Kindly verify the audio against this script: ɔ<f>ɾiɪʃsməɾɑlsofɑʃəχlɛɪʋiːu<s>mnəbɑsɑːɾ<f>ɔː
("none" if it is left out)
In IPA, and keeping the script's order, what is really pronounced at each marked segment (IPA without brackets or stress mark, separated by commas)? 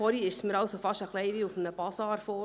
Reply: none, f, f